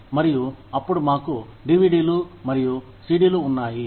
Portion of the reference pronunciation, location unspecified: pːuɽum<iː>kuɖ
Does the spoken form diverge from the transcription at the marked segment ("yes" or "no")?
yes